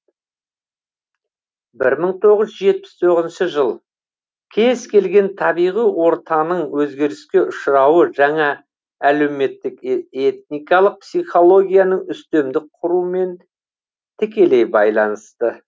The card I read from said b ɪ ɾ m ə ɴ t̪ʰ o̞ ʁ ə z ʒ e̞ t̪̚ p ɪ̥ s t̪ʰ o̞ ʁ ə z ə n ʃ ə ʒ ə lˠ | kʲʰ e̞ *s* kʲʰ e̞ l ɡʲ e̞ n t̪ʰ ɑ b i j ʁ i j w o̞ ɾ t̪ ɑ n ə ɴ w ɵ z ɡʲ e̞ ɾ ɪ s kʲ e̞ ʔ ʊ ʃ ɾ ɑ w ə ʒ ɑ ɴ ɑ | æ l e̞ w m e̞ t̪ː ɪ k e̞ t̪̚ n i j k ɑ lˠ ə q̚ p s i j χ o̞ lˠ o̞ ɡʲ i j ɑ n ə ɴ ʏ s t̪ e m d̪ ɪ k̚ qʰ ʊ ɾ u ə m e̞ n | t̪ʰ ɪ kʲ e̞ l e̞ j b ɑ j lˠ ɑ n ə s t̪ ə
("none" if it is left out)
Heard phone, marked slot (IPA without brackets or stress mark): z